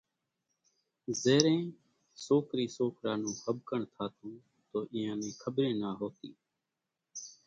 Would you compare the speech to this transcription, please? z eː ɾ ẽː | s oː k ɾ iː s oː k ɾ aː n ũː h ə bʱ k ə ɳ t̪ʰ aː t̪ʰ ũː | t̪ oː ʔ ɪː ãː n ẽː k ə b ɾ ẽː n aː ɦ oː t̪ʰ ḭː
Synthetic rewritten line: z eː ɾ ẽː | s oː k ɾ iː s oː k ɾ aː n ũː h ə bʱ k ə ɳ t̪ʰ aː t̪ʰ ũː | t̪ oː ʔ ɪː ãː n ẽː kʰ ə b ɾ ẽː n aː ɦ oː t̪ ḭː

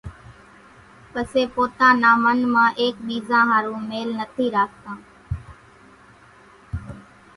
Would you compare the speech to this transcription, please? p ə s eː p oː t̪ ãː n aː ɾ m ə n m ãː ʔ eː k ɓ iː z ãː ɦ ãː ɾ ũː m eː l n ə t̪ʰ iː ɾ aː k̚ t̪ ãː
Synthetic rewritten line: p ə s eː p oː t̪ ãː n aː m ə n m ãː ʔ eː k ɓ iː z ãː ɦ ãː ɾ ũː m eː l n ə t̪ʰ iː ɾ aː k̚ t̪ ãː

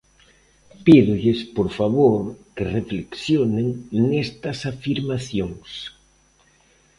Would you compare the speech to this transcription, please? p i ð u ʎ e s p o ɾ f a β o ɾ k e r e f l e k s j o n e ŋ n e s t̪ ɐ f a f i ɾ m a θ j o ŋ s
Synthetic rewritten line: p i ð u ʎ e s p o ɾ f a β o ɾ k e r e f l e k s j o n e ŋ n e s t̪ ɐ s a f i ɾ m a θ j o ŋ s

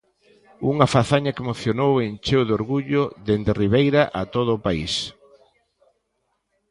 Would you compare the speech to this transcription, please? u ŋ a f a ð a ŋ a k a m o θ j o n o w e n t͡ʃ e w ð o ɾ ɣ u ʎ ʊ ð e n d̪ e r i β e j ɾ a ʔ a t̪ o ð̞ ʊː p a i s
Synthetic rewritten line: u ŋ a f a θ a ɲ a k e m o θ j o n o w e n t͡ʃ e w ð o ɾ ɣ u ʎ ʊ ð e n d̪ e r i β e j ɾ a ʔ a t̪ o ð̞ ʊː p a i s

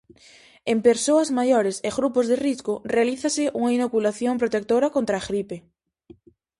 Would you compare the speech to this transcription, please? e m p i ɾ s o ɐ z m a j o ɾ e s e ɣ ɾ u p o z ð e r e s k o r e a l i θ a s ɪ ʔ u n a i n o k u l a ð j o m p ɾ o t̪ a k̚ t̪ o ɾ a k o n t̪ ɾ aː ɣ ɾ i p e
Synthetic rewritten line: e m p e ɾ s o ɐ z m a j o ɾ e s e ɣ ɾ u p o z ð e r i s k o r e a l i θ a s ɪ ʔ u ŋ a i n o k u l a θ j o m p ɾ o t̪ e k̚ t̪ o ɾ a k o n t̪ ɾ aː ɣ ɾ i p e

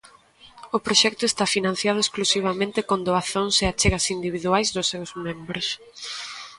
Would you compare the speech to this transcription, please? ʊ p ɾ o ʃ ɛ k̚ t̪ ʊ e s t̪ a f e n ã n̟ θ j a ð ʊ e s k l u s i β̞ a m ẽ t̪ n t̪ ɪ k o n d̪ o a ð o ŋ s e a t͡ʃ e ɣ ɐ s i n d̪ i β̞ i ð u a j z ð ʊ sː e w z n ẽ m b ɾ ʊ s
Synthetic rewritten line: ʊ p ɾ o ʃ ɛ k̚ t̪ ʊ e s t̪ a f i n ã n̟ θ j a ð ʊ e s k l u s i β̞ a m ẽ n t̪ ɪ k o n d̪ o a θ o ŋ s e a t͡ʃ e ɣ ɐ s i n d̪ i β̞ i ð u a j z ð ʊ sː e w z m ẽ m b ɾ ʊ s

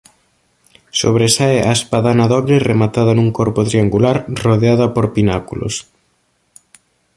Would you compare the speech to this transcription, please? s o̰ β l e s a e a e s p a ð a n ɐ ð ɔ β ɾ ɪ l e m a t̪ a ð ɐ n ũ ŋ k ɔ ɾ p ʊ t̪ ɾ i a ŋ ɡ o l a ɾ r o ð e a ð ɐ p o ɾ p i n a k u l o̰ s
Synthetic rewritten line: s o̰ β ɾ e s a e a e s p a ð a n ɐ ð ɔ β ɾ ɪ r e m a t̪ a ð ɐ n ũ ŋ k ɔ ɾ p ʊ t̪ ɾ i a ŋ ɡ u l a ɾ r o ð e a ð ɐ p o ɾ p i n a k u l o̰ s

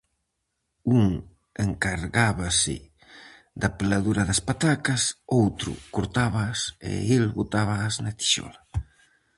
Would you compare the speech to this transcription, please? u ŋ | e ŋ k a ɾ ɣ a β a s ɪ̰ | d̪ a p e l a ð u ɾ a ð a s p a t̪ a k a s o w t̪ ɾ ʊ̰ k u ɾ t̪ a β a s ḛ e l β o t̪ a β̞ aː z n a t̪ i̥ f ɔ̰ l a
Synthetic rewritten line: u ŋ | e ŋ k a ɾ ɣ a β a s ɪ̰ | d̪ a p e l a ð u ɾ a ð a s p a t̪ a k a s o w t̪ ɾ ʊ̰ k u ɾ t̪ a β a s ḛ e l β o t̪ a β̞ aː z n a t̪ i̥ ʃ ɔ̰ l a

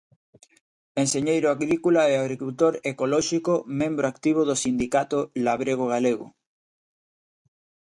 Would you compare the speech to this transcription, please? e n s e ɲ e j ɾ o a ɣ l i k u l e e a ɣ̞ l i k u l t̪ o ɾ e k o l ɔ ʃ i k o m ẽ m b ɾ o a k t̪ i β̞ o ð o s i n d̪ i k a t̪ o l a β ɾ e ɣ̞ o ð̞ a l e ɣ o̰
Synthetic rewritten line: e n s e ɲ e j ɾ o a ɣ ɾ i k u l a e a ɣ̞ ɾ i k u l t̪ o ɾ e k o l ɔ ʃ i k o m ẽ m b ɾ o a k t̪ i β̞ o ð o s i n d̪ i k a t̪ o l a β ɾ e ɣ̞ o ɣ̞ a l e ɣ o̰

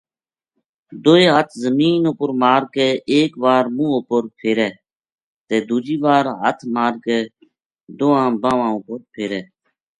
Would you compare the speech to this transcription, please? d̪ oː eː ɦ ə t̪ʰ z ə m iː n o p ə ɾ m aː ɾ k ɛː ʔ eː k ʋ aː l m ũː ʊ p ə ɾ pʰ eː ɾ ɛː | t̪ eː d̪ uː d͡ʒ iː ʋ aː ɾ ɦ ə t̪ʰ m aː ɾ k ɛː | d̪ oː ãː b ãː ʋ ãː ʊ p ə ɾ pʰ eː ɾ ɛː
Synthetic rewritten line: d̪ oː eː ɦ ə t̪ʰ z ə m iː n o p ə ɾ m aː ɾ k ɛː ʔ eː k ʋ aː ɾ m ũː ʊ p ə ɾ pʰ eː ɾ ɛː | t̪ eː d̪ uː d͡ʒ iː ʋ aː ɾ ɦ ə t̪ʰ m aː ɾ k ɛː | d̪ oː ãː b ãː ʋ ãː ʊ p ə ɾ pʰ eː ɾ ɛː

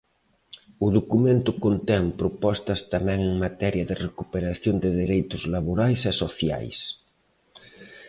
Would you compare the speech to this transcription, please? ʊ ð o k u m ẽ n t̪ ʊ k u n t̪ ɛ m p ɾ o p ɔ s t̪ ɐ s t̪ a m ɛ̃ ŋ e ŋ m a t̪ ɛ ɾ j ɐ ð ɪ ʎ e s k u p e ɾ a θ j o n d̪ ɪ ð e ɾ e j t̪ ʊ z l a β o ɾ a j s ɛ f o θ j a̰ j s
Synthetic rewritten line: ʊ ð o k u m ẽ n t̪ ʊ k o n t̪ ɛ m p ɾ o p ɔ s t̪ ɐ s t̪ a m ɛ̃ ŋ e ŋ m a t̪ ɛ ɾ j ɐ ð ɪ r e k u p e ɾ a θ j o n d̪ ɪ ð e ɾ e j t̪ ʊ z l a β o ɾ a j s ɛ s o θ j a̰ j s

